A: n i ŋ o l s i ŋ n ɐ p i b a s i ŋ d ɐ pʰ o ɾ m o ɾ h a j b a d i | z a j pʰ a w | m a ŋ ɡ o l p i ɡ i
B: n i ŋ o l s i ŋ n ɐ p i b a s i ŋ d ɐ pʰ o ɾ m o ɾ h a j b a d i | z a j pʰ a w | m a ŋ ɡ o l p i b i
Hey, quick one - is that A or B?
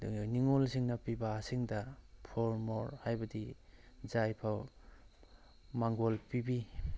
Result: B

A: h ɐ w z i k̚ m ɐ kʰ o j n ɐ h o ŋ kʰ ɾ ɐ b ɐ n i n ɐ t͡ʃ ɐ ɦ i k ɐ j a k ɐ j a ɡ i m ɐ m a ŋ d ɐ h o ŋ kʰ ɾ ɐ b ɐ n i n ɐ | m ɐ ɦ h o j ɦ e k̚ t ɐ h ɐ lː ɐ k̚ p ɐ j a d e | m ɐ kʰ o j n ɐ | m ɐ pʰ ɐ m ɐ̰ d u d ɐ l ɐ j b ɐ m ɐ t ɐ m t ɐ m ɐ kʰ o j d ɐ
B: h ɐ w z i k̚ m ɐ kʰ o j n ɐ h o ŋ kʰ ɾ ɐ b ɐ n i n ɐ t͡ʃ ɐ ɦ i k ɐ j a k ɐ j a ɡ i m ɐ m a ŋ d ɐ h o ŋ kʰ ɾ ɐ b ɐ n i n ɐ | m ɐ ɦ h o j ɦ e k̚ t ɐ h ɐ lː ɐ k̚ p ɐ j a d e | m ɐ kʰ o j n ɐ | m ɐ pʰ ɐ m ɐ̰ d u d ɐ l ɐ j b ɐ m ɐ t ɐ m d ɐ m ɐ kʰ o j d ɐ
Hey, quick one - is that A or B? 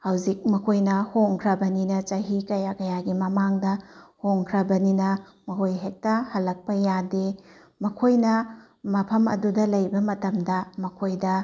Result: B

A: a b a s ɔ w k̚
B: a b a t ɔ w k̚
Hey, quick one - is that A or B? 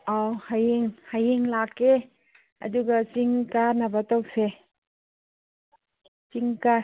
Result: B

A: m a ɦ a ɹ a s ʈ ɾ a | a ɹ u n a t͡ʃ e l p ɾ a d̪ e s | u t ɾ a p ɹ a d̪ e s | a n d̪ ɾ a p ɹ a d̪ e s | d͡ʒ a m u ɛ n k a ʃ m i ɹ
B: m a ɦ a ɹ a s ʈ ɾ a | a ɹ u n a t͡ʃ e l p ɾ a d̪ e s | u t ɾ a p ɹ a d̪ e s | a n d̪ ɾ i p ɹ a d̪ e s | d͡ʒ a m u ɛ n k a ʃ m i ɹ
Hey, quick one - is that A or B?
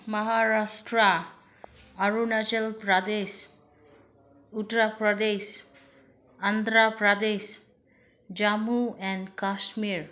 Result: A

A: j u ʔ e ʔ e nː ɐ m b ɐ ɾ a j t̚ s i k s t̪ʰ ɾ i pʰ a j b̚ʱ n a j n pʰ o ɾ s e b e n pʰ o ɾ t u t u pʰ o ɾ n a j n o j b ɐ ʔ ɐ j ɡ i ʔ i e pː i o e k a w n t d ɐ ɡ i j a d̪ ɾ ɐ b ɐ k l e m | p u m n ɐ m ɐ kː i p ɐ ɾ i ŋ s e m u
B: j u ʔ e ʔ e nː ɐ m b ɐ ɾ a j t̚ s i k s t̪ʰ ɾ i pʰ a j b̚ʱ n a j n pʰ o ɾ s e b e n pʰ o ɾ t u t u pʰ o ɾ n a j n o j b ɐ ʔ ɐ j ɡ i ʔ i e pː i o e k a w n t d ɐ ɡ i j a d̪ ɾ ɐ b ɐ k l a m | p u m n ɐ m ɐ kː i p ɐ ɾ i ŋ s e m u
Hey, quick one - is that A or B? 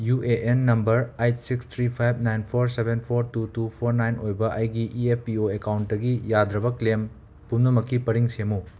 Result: A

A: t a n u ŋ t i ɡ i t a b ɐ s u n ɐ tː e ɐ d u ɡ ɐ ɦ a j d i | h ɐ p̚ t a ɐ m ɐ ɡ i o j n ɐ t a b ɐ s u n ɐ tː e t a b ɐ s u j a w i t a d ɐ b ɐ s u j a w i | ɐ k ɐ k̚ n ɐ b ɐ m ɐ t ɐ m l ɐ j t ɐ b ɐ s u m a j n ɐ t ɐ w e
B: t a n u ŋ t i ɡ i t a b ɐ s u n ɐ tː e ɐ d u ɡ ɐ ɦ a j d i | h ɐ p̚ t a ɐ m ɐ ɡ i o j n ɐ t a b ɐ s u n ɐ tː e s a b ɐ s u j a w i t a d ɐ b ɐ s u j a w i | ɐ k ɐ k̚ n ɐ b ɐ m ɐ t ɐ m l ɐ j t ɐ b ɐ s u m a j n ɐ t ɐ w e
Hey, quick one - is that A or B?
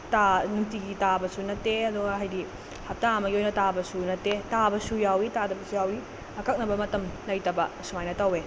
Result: A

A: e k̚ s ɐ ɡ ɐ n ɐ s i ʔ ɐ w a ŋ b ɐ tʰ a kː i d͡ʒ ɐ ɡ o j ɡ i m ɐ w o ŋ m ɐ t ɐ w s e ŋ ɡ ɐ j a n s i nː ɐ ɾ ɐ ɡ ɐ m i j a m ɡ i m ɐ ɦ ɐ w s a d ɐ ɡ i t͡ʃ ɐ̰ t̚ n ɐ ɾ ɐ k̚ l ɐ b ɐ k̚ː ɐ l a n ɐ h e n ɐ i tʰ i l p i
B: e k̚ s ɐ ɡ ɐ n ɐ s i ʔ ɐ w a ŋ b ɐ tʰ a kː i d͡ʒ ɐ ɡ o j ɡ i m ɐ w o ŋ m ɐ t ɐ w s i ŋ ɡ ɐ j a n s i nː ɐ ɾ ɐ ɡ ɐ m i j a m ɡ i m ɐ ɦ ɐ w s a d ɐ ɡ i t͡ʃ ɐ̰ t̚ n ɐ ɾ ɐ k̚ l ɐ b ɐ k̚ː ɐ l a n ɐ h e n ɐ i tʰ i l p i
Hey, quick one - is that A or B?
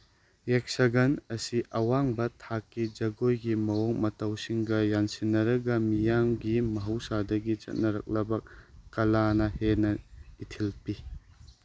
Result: B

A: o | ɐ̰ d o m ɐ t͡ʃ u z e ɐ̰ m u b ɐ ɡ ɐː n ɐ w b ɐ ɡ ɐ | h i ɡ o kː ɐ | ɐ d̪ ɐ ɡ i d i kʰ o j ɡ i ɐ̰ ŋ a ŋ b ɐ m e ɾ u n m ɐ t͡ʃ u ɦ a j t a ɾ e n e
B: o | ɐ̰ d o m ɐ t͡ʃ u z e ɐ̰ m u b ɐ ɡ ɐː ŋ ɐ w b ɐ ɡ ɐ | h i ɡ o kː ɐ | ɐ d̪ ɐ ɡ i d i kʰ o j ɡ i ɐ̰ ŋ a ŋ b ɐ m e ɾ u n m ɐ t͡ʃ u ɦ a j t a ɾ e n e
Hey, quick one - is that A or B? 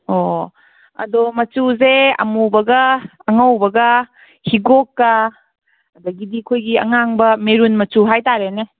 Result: B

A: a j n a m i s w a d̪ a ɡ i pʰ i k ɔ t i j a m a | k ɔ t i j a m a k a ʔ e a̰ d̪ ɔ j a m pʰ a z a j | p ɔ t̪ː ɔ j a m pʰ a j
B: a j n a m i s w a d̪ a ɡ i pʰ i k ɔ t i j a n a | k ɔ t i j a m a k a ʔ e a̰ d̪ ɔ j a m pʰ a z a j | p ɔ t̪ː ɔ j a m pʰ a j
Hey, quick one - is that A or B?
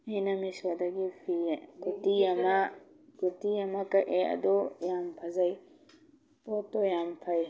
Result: A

